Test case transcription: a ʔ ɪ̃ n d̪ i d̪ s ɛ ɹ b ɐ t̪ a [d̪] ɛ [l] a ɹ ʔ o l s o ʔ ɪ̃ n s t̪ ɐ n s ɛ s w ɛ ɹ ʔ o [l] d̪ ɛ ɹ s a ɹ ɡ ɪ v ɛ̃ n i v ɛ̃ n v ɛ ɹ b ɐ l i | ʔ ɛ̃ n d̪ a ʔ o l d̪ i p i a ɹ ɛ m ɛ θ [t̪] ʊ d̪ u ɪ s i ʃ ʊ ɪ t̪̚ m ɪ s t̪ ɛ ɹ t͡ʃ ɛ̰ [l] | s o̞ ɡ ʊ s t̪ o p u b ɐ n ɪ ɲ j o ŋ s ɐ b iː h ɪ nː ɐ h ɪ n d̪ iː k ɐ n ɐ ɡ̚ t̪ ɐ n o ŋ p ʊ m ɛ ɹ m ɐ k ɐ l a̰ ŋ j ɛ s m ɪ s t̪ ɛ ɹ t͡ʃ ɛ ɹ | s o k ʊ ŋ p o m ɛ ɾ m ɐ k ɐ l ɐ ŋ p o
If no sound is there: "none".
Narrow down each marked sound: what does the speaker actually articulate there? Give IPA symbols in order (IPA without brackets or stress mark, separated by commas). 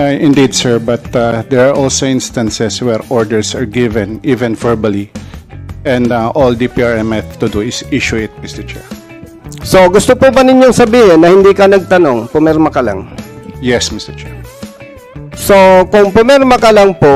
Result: d̪, ɹ, ɹ, t̪, ɹ